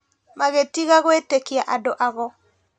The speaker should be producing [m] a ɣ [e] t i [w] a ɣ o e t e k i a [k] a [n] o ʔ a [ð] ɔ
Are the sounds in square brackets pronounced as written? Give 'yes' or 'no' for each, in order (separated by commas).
yes, yes, no, no, no, no